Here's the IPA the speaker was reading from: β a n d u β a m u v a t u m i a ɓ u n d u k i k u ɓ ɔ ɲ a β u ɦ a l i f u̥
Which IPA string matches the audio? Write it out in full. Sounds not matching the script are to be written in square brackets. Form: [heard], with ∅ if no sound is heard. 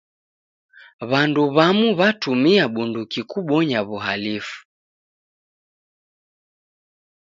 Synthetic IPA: β a n d u β a m u [β] a t u m i a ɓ u n d u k i k u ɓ ɔ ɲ a β u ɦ a l i f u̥